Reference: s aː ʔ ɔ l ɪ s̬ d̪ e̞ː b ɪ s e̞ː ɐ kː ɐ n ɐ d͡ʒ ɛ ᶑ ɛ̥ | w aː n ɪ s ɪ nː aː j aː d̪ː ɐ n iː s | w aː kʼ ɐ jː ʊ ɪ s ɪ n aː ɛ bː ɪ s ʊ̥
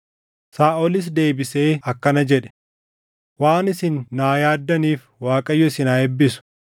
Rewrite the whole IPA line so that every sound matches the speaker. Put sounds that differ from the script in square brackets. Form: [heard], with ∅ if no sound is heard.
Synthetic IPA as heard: s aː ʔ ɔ l ɪ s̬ d̪ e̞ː b ɪ s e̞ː ɐ kː ɐ n ɐ d͡ʒ ɛ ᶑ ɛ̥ | w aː n ɪ s ɪ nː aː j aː d̪ː ɐ n iː [f] | w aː kʼ ɐ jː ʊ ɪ s ɪ n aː ɛ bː ɪ s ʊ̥